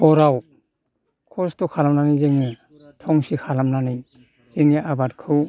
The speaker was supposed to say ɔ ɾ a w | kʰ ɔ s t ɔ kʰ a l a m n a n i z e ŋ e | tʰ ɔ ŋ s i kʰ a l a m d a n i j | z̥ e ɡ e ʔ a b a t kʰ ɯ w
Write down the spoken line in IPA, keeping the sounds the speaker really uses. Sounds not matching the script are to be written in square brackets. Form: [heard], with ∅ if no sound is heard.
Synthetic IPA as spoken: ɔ ɾ a w | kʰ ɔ s t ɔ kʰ a l a m n a n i z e ŋ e | tʰ ɔ ŋ s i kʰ a l a m [n] a n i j | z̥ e [ŋ] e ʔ a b a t kʰ ɯ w